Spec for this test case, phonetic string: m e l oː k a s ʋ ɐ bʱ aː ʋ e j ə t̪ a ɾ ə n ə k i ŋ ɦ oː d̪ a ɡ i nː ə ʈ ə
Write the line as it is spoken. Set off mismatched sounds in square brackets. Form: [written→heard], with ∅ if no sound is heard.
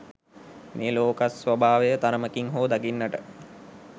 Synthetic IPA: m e l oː k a s ʋ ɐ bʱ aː ʋ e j ə t̪ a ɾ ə [n→m] ə k i ŋ ɦ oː d̪ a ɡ i nː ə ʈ ə

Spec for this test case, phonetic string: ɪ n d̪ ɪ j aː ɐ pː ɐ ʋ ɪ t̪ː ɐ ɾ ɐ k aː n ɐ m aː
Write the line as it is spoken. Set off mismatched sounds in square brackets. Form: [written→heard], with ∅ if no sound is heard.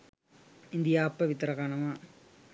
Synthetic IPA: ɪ n d̪ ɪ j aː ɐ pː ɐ ʋ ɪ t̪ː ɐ ɾ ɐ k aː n ɐ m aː

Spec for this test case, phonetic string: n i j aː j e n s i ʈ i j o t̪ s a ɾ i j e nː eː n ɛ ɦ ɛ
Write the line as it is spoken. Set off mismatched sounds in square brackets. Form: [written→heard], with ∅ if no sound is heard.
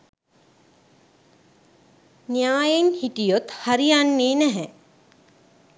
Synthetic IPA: n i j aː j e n [s→h] i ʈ i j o t̪ [s→h] a ɾ i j [e→a] nː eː n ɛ ɦ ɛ

